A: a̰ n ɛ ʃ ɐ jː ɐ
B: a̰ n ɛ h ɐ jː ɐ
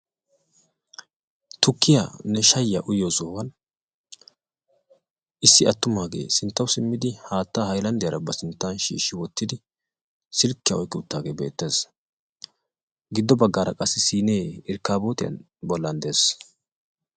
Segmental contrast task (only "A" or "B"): A